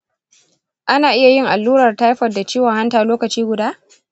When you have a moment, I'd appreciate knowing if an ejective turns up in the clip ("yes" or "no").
no